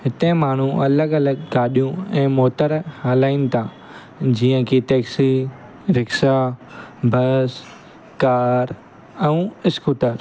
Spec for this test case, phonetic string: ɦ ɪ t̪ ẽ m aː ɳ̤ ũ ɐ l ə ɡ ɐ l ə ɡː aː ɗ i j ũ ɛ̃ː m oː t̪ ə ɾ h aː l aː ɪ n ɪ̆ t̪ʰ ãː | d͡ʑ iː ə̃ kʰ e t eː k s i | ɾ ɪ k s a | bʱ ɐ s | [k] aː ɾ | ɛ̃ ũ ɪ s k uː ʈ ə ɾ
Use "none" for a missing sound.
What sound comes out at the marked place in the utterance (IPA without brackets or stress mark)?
k